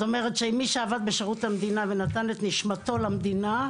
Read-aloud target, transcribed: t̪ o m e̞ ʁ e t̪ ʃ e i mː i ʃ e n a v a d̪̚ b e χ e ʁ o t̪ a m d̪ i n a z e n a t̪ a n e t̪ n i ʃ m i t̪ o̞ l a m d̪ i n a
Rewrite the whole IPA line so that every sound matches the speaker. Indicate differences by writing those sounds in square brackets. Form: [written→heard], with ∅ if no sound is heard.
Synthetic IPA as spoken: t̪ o m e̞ ʁ e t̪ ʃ e i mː i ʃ e [n→∅] a v a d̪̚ b e [χ→ʃ] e ʁ [o→u] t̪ a m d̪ i n a [z→v] e n a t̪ a n e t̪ n i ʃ m [i→a] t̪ o̞ l a m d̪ i n a